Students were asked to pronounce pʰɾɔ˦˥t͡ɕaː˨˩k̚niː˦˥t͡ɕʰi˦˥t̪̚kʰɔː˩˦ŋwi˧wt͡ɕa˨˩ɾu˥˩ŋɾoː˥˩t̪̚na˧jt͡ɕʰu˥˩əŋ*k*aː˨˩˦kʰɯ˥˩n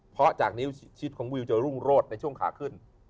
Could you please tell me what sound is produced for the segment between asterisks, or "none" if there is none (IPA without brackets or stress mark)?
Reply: kʰ